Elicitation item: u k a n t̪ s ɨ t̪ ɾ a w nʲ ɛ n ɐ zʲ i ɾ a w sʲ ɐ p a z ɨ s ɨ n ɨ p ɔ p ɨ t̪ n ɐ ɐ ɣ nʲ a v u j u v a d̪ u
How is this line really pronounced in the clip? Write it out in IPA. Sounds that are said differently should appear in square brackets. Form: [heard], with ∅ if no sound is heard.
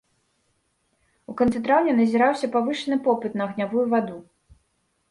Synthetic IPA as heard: u k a n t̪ s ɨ t̪ ɾ a w nʲ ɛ n ɐ zʲ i ɾ a w sʲ ɐ p a [v] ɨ [ʂ] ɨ n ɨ p ɔ p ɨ t̪ n ɐ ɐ ɣ nʲ a v u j u v a d̪ u